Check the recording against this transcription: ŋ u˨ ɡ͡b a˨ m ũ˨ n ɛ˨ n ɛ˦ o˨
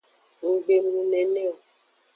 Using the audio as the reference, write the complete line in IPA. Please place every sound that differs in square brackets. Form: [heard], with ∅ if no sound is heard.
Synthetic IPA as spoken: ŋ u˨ ɡ͡b [e˨] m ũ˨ n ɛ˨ n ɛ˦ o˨